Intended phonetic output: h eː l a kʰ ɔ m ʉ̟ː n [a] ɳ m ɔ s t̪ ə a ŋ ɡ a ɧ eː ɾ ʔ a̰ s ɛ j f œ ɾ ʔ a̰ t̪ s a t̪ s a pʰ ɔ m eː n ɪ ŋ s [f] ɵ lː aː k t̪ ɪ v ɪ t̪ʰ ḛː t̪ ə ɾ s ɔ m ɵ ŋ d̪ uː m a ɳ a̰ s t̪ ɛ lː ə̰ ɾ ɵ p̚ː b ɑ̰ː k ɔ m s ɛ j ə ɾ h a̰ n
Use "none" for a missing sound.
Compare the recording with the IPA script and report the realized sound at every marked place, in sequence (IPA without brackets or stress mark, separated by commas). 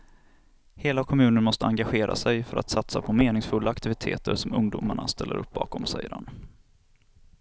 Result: ə, f